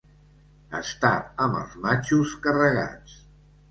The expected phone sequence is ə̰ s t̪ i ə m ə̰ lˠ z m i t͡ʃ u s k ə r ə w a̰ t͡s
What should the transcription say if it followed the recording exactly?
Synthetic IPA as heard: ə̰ s t̪ a ə m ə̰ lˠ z m a t͡ʃ u s k ə r ə ɣ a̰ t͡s